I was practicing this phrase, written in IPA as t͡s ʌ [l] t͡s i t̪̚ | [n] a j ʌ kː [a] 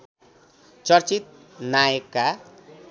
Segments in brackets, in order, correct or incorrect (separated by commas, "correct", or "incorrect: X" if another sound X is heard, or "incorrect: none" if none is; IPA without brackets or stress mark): incorrect: r, correct, correct